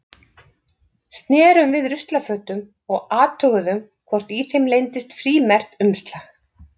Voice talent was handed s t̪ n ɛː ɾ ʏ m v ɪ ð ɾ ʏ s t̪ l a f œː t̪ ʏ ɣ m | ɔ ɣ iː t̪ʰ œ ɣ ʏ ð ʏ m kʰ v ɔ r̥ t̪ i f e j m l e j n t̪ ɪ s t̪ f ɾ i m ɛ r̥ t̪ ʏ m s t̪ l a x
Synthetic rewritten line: s t̪ n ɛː ɾ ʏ m v ɪ ð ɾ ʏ s t̪ l a f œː t̪ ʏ m | ɔ ɣ aː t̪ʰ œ ɣ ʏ ð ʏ m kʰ v ɔ r̥ t̪ i θ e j m l e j n t̪ ɪ s t̪ f ɾ iː m ɛ r̥ t̪ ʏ m s t̪ l a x